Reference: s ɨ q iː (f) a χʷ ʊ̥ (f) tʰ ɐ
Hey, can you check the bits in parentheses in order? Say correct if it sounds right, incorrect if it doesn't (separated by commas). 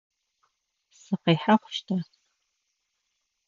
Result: incorrect, incorrect